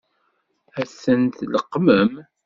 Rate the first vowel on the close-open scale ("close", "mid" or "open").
open